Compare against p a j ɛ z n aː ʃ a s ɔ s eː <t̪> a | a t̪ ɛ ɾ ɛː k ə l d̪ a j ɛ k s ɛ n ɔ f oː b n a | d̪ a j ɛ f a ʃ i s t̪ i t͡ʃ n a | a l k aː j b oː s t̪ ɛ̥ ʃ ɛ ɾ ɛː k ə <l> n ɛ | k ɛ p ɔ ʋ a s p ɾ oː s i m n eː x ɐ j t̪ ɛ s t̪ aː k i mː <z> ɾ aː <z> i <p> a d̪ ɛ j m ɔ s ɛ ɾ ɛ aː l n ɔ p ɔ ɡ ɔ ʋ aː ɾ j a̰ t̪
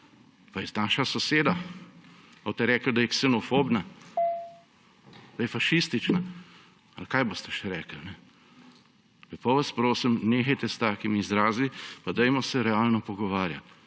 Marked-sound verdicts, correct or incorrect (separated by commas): incorrect, correct, correct, correct, correct